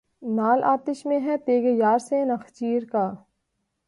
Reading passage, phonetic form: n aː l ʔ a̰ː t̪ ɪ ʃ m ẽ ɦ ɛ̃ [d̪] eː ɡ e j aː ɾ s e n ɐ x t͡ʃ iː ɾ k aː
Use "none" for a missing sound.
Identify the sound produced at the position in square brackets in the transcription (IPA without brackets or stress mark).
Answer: t̪